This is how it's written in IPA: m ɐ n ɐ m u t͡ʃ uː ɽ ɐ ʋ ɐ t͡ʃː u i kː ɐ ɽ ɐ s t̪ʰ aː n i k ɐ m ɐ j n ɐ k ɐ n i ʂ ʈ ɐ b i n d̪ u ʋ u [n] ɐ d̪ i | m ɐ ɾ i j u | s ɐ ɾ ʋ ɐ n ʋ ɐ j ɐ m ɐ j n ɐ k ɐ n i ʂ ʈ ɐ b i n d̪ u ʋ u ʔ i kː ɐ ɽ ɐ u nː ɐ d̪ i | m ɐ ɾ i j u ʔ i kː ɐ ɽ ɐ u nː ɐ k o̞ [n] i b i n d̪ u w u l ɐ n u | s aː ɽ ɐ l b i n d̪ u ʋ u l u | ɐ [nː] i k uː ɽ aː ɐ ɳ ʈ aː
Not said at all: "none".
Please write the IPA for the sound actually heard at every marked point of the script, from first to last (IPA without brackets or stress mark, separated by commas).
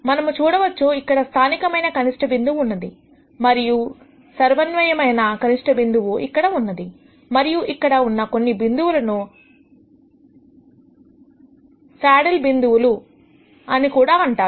nː, nː, n